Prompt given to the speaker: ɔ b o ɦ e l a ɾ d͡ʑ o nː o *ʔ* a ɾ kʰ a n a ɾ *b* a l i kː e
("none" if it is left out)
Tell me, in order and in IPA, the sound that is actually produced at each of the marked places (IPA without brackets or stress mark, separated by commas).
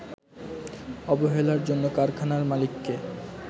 k, m